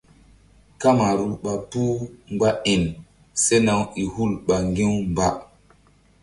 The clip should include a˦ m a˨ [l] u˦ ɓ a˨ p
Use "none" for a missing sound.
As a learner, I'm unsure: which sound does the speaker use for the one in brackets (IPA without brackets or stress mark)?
ɾ